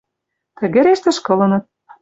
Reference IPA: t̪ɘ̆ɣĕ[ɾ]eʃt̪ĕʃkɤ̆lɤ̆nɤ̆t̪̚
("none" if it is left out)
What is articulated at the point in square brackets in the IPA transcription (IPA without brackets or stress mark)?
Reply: ɾ